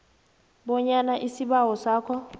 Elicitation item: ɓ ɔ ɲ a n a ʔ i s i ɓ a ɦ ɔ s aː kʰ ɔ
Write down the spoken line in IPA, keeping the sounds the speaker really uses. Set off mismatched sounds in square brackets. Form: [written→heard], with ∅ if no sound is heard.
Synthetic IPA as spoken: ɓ ɔ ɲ a n a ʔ i s i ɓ a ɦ ɔ s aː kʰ ɔ